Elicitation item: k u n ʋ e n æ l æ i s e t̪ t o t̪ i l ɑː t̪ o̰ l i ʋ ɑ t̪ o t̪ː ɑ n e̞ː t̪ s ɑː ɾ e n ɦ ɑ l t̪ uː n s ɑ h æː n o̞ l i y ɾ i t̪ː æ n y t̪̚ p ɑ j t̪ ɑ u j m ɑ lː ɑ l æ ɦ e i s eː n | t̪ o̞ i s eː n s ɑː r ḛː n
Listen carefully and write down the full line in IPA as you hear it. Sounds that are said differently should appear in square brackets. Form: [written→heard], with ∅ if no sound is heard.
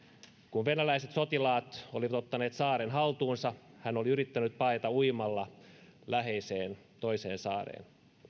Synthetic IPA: k u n ʋ e n æ l æ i s e t̪ [t→s] o t̪ i l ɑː t̪ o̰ l i ʋ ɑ t̪ o t̪ː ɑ n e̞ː t̪ s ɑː ɾ e n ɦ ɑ l t̪ uː n s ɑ h [æː→æ] n o̞ l i y ɾ i t̪ː æ n y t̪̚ p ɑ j t̪ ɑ u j m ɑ lː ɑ l æ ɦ e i s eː n | t̪ o̞ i s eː n s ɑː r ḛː n